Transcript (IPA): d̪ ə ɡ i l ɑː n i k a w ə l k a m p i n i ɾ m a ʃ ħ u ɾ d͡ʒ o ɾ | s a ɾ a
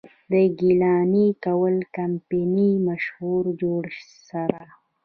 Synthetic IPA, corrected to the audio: d̪ ə ɡ i l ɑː n i k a w ə l k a m p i n i m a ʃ h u ɾ d͡ʒ o ɽ | s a ɾ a